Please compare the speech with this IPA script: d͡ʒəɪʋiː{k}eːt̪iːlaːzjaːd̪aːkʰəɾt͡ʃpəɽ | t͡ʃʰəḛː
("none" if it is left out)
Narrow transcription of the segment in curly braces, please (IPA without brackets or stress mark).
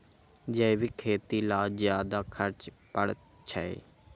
kʰ